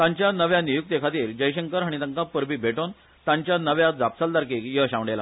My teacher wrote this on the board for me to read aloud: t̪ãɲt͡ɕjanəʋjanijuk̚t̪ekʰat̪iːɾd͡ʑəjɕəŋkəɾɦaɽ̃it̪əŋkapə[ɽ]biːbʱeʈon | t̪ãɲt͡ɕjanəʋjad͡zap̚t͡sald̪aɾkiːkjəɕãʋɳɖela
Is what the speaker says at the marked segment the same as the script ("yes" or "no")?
no